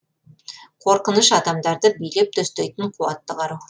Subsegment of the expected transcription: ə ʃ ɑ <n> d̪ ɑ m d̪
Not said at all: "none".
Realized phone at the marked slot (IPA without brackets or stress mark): none